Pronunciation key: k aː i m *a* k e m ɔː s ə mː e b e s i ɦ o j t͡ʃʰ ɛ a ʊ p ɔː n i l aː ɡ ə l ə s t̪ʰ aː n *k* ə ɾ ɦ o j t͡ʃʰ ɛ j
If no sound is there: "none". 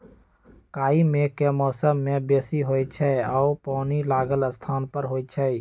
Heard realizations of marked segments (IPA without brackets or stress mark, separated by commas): e, p